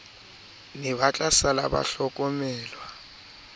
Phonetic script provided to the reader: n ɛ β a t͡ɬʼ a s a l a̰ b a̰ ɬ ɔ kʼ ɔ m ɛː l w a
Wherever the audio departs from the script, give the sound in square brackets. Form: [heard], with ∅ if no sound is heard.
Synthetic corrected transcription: n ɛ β a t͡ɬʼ a s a l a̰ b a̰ ɬ ɔ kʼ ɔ m ɛː l w a